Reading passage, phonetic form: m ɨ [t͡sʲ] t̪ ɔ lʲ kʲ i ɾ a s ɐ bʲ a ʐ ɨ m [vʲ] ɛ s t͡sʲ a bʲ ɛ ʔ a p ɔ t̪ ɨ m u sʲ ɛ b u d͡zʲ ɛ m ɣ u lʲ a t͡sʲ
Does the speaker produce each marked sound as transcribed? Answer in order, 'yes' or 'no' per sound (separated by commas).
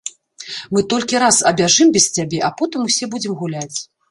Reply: no, no